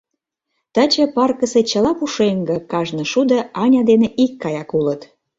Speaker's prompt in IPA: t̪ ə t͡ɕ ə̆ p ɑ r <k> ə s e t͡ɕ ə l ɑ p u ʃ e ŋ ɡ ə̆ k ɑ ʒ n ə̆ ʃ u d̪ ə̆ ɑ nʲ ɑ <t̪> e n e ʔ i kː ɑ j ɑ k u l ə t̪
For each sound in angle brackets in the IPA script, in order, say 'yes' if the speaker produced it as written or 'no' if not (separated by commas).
yes, no